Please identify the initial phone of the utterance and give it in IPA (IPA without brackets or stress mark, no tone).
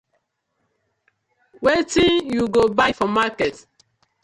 w